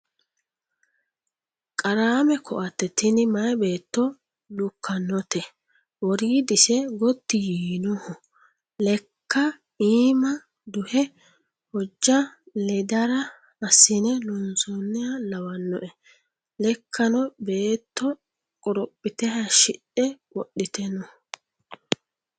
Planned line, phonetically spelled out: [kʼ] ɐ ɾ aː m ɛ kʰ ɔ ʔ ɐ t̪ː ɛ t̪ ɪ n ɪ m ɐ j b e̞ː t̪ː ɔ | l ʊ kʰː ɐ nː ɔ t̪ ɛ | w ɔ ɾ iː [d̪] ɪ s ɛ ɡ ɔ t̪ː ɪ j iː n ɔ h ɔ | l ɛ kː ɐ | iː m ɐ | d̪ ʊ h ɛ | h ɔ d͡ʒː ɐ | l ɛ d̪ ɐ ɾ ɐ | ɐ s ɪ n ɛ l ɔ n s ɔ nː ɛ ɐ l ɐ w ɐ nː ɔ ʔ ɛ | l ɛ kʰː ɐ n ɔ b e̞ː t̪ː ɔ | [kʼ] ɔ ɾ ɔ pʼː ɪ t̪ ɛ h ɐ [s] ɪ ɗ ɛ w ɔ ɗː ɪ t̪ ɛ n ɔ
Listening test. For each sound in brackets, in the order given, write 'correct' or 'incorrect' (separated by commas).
correct, correct, correct, incorrect